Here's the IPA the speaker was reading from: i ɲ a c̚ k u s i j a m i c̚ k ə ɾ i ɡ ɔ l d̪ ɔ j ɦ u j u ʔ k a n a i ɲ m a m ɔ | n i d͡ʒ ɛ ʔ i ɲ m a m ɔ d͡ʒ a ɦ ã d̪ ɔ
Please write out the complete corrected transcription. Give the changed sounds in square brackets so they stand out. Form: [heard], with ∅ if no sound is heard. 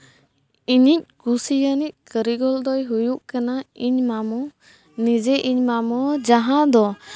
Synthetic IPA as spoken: i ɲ [i] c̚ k u s i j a [n] i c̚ k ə ɾ i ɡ ɔ l d̪ ɔ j ɦ u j u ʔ k a n a i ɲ m a m ɔ | n i d͡ʒ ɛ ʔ i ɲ m a m ɔ d͡ʒ a ɦ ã d̪ ɔ